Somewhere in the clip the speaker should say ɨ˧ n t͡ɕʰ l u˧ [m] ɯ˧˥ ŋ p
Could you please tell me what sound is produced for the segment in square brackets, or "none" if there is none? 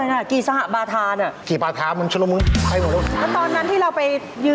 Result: m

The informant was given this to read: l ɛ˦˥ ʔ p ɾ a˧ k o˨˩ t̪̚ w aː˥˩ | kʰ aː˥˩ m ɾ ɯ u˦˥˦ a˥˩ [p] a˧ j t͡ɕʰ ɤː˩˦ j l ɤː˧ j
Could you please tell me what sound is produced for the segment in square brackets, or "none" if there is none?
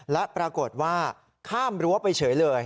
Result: p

